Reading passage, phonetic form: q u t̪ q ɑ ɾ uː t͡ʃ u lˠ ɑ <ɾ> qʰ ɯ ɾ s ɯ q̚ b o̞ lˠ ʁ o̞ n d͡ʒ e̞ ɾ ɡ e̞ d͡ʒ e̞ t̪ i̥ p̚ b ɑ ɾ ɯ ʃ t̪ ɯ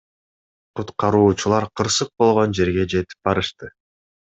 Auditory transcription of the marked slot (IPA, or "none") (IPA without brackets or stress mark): ɾ